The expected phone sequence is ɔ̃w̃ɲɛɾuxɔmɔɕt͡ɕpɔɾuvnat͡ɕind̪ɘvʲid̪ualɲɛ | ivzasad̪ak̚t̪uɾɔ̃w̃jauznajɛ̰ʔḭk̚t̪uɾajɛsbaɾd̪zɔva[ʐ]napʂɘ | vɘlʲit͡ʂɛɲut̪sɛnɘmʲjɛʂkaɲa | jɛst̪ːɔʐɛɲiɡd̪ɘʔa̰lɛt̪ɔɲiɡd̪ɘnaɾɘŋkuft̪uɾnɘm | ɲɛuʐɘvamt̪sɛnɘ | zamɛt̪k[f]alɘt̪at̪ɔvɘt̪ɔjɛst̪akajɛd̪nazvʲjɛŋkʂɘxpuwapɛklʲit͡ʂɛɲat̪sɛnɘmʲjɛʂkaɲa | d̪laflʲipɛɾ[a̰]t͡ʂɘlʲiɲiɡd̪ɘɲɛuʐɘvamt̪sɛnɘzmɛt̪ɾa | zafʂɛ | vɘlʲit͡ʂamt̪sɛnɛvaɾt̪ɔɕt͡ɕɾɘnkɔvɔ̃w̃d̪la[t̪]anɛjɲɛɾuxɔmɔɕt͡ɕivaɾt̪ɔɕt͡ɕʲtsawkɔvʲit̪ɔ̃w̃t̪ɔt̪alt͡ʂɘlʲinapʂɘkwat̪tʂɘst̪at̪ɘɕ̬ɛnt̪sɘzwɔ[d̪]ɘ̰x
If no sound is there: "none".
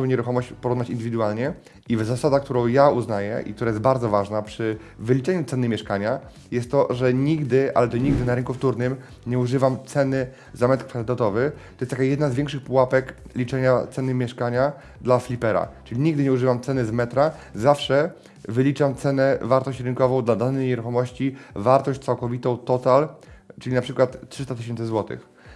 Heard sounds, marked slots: ʐ, f, a̰, d̪, t̪

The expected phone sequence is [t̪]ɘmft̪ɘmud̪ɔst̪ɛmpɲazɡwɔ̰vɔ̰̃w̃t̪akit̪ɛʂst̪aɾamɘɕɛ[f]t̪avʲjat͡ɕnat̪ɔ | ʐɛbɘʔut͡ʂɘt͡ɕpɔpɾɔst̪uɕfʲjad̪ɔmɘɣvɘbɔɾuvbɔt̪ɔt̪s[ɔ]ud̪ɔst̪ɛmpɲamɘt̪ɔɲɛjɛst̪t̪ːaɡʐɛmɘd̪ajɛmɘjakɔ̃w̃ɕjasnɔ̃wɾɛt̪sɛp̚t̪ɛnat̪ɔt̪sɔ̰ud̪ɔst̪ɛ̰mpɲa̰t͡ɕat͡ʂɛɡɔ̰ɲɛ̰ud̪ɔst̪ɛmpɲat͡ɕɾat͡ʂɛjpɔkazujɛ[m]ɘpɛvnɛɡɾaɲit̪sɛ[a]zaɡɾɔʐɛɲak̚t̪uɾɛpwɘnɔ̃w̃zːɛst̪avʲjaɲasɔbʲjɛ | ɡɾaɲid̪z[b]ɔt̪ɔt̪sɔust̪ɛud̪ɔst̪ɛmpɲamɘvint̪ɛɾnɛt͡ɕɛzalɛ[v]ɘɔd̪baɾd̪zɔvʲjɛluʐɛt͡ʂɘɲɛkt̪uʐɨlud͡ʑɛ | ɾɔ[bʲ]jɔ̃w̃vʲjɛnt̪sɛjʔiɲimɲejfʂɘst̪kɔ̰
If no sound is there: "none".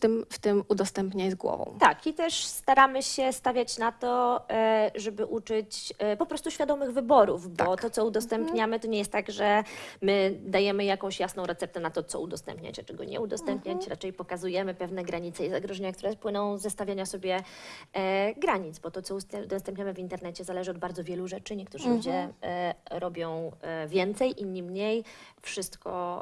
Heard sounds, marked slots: t̪, s, ɔ, m, i, b, ʐ, bʲ

